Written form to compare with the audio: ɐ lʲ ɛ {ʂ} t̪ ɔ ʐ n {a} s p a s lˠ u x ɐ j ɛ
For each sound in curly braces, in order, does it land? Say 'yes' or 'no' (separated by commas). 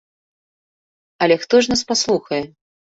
no, yes